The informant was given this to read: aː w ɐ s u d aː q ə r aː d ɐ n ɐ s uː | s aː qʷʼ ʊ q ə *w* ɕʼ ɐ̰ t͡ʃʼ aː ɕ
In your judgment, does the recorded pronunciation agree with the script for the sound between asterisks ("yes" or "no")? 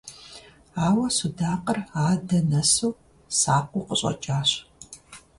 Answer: no